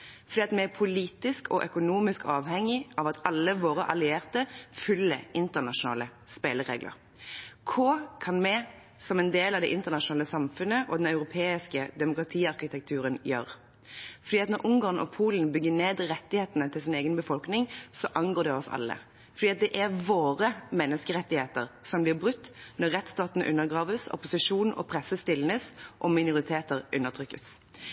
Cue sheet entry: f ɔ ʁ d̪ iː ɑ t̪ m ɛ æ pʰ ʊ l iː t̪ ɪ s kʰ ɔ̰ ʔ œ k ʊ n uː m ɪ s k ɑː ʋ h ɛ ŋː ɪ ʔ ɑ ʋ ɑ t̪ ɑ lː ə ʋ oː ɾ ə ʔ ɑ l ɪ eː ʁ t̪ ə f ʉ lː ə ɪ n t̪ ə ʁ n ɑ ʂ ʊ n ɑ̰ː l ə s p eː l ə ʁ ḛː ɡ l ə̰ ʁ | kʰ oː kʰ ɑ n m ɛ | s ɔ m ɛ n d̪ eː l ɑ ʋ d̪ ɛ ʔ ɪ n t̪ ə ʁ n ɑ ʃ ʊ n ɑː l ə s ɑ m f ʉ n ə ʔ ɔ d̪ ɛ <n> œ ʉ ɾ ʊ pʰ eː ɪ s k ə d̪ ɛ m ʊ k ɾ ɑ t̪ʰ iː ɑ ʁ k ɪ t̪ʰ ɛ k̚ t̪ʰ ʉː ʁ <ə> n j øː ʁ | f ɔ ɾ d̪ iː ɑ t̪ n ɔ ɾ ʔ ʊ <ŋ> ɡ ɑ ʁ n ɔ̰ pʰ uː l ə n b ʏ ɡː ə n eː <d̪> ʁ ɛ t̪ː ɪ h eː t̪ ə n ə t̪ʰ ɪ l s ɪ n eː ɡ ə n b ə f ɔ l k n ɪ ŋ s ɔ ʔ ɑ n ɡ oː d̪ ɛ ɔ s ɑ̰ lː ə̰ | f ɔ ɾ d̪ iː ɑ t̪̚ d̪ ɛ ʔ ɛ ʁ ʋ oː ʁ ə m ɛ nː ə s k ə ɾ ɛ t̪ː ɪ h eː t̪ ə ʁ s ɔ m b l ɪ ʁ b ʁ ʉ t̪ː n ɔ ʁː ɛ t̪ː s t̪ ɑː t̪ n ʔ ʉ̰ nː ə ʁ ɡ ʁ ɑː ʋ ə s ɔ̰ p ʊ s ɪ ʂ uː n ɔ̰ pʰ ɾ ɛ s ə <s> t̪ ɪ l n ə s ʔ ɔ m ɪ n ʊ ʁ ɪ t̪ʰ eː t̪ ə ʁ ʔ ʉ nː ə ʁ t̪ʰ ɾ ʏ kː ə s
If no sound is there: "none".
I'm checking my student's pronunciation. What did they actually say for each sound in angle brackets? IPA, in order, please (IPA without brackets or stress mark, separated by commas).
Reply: n, ə, ŋ, d̪, s